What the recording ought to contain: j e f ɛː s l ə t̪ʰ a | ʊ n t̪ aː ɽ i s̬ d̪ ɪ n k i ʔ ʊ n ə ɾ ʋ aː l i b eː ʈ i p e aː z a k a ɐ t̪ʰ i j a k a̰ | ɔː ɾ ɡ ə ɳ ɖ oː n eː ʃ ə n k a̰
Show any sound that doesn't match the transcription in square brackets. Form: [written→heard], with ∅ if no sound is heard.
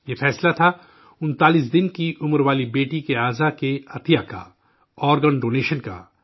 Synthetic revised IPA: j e f ɛː s l [ə→a] t̪ʰ a | ʊ n t̪ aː [ɽ→l] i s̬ d̪ ɪ n k i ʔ ʊ [n→m] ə ɾ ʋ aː l i b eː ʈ i [p→k] e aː z a k [a→e] ɐ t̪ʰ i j a k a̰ | ɔː ɾ ɡ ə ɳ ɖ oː n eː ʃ ə n k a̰